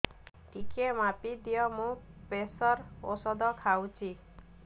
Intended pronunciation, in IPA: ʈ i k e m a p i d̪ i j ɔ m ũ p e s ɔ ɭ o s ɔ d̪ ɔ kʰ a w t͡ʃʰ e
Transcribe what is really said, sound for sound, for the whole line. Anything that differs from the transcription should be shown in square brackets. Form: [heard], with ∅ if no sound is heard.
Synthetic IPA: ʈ i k e m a p i d̪ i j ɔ m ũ p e s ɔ [ɾ] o s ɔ d̪ ɔ kʰ a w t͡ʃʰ [i]